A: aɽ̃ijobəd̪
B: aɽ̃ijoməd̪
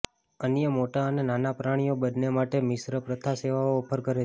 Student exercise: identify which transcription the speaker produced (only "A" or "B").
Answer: A